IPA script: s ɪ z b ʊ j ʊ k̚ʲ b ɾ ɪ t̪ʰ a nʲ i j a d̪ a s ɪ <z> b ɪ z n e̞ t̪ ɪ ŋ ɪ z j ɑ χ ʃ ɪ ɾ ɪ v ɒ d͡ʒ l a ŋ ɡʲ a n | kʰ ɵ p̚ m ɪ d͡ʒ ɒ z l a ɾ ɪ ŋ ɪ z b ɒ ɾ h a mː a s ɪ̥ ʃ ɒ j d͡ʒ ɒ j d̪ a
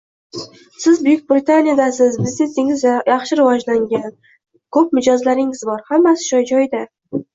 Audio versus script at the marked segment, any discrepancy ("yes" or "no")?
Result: no